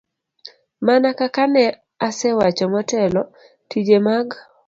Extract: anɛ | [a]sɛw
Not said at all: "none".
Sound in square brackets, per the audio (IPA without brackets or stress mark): a